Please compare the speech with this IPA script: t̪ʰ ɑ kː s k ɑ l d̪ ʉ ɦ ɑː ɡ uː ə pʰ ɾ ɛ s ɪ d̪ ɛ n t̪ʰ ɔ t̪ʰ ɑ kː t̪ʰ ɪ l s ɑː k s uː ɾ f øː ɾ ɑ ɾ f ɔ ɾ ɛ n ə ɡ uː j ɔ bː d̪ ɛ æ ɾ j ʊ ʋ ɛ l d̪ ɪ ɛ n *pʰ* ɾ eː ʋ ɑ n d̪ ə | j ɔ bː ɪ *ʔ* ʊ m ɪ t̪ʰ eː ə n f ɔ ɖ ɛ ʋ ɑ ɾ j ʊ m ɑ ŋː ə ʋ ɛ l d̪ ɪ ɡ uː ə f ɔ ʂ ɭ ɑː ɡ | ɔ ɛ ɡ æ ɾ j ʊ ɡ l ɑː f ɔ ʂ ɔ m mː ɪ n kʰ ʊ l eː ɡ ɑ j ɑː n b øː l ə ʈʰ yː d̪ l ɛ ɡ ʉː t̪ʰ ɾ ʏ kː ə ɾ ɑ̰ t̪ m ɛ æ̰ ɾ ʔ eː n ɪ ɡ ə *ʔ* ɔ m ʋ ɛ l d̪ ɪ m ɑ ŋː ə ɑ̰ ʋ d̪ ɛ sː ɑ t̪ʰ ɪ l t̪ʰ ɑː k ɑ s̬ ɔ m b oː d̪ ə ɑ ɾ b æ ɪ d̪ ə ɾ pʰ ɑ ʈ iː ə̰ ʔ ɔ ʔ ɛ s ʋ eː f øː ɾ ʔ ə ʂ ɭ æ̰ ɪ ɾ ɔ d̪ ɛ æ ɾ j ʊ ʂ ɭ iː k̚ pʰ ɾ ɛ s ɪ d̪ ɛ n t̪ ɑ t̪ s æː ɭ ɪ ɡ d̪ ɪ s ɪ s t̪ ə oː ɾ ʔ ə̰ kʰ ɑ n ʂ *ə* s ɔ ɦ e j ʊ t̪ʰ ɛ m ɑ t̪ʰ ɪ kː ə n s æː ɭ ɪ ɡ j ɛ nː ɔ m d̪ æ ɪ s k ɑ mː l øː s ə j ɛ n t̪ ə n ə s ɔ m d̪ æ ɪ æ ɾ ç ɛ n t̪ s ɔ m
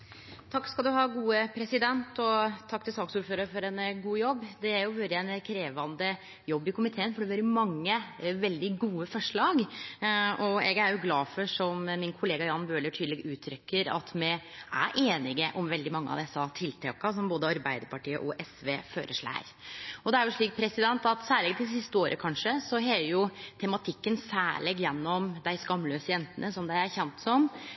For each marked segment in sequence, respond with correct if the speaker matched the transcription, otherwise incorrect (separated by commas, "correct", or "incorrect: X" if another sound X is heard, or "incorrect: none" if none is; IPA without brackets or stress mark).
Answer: incorrect: kʰ, incorrect: k, correct, correct